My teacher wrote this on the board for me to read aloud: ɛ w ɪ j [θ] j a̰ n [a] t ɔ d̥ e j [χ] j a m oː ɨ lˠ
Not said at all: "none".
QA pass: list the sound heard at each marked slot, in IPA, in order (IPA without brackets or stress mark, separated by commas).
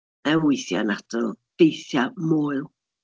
θ, a, θ